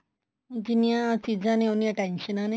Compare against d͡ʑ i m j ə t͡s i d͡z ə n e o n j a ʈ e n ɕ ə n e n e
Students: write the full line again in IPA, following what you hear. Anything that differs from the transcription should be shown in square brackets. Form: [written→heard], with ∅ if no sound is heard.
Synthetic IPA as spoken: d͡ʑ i [m→n] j [ə→a] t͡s i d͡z [ə→a] n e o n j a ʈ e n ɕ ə n [e→a] n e